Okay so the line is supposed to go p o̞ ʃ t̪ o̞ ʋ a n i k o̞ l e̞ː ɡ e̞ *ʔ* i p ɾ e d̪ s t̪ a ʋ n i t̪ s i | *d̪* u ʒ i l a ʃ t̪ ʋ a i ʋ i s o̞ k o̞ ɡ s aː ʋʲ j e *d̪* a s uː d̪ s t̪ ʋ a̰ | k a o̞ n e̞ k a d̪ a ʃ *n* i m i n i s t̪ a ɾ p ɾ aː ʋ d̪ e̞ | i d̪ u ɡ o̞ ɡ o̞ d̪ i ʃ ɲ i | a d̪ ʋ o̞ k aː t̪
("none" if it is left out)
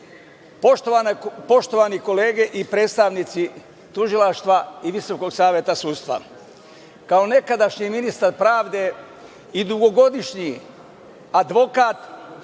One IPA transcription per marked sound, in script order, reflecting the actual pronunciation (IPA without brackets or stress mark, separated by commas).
ʔ, t̪, t̪, ɲ